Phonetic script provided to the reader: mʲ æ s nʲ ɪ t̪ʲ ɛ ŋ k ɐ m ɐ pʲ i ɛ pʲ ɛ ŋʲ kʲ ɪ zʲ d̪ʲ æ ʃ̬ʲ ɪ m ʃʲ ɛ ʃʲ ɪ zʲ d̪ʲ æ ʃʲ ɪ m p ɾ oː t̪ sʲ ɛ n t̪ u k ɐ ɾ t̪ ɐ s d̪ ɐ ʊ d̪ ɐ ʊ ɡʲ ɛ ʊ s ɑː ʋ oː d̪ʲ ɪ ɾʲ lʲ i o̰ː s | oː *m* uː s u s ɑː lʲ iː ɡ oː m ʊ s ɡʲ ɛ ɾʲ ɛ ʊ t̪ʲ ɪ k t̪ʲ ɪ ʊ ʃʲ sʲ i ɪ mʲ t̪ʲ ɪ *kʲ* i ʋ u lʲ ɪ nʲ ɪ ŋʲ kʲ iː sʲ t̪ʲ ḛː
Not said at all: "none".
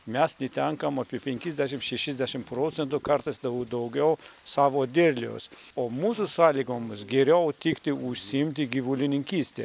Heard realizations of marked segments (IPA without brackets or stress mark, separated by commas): m, ɡʲ